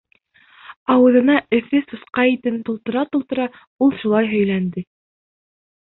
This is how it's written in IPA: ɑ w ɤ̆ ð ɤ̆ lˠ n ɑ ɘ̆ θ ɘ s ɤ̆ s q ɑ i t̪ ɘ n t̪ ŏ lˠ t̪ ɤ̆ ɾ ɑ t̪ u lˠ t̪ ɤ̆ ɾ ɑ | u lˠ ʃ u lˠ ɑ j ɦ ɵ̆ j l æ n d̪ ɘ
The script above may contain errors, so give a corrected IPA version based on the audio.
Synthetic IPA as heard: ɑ w ɤ̆ ð ɤ̆ n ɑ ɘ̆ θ ɘ s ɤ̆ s q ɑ i t̪ ɘ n t̪ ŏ lˠ t̪ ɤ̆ ɾ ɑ t̪ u lˠ t̪ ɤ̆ ɾ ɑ | u lˠ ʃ u lˠ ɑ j ɦ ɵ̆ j l æ n d̪ ɘ